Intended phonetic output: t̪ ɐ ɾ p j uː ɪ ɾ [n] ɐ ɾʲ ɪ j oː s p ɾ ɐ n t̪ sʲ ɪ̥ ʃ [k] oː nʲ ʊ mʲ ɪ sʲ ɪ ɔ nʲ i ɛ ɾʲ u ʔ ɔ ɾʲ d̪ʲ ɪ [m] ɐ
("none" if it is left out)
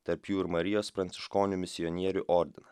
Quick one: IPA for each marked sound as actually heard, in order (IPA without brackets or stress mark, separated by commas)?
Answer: m, k, n